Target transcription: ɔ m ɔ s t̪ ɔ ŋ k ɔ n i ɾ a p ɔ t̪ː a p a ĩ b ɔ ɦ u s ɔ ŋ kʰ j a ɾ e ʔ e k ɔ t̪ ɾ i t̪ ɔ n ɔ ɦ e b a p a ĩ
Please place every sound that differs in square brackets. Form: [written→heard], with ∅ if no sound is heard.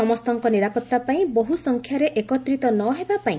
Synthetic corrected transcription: ɔ m ɔ s t̪ ɔ ŋ k ɔ n i ɾ a p ɔ t̪ː a p a ĩ b ɔ ɦ u s ɔ ŋ kʰ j a ɾ e ʔ e k ɔ t̪ ɾ i t̪ ɔ n ɔ ɦ e b a p a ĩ